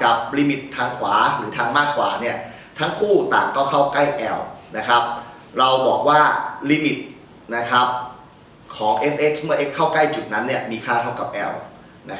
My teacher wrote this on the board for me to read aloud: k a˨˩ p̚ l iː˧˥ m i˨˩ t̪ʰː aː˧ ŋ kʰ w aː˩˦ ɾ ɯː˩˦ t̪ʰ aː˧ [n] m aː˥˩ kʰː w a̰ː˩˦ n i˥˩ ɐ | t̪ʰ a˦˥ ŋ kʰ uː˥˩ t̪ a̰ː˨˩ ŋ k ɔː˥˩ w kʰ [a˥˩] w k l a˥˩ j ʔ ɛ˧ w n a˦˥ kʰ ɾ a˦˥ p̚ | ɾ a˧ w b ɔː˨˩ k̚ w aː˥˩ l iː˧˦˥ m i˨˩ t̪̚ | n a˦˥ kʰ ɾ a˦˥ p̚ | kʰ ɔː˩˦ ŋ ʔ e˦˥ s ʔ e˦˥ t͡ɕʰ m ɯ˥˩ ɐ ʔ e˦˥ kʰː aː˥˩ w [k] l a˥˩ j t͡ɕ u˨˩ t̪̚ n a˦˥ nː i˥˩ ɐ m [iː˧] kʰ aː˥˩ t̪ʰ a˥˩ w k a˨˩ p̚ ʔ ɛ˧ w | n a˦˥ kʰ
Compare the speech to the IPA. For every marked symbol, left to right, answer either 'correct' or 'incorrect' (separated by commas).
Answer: incorrect, correct, correct, correct